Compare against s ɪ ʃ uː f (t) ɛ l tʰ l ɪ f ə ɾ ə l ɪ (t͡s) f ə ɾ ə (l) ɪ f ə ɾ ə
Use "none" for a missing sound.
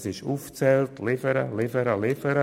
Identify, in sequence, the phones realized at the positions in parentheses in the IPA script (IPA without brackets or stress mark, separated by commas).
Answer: t͡s, none, l